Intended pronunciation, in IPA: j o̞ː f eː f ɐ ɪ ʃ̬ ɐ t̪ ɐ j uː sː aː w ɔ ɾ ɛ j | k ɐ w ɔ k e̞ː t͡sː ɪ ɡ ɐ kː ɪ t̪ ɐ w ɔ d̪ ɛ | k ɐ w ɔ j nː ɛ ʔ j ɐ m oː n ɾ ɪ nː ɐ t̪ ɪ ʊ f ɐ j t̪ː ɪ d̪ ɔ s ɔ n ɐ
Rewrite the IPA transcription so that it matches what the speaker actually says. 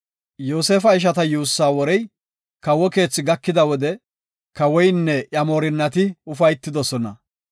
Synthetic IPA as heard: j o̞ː s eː f ɐ ɪ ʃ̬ ɐ t̪ ɐ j uː sː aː w ɔ ɾ ɛ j | k ɐ w ɔ k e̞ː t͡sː ɪ ɡ ɐ kː ɪ d̪ ɐ w ɔ d̪ ɛ | k ɐ w ɔ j nː ɛ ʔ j ɐ m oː ɾ ɪ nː ɐ t̪ ɪ ʊ f ɐ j t̪ː ɪ d̪ ɔ s ɔ n ɐ